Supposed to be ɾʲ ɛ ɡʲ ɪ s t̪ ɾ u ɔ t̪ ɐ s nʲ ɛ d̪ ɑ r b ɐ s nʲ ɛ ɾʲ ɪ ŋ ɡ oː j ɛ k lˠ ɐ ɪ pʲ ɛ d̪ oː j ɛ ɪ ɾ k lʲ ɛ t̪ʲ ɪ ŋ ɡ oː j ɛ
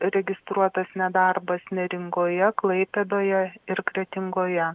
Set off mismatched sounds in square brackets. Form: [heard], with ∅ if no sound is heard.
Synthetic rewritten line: ɾʲ ɛ ɡʲ ɪ s t̪ ɾ u ɔ t̪ ɐ s nʲ ɛ d̪ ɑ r b ɐ s nʲ ɛ ɾʲ ɪ ŋ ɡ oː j ɛ k lˠ ɐ ɪ pʲ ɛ d̪ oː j ɛ ɪ ɾ k [ɾʲ] ɛ t̪ʲ ɪ ŋ ɡ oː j ɛ